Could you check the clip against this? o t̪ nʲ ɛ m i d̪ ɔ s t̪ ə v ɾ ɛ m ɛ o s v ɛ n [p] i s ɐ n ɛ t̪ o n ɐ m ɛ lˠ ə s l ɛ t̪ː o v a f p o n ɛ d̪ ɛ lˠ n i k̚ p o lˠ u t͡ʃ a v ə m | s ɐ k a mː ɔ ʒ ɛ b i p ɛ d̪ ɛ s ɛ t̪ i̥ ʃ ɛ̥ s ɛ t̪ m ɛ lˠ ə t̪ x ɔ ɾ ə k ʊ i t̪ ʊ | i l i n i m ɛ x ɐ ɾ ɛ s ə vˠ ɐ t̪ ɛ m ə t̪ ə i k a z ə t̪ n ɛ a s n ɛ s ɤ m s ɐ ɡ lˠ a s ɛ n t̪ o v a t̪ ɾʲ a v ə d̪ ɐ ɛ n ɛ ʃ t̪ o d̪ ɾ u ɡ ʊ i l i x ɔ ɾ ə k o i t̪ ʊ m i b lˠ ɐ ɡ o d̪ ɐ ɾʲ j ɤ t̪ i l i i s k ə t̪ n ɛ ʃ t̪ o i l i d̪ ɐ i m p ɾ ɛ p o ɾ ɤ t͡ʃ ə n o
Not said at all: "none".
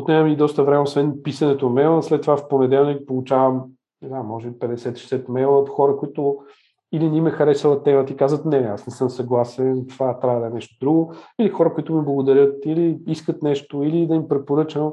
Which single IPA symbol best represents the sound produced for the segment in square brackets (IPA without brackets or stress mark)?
p